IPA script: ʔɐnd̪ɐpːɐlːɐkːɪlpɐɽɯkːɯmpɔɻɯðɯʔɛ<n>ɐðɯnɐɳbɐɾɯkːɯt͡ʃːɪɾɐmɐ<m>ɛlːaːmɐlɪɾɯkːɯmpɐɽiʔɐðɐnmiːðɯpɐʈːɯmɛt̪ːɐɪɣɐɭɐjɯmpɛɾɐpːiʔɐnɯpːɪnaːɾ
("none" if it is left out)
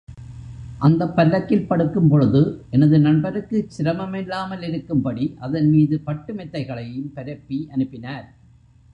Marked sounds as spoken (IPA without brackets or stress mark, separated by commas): n, m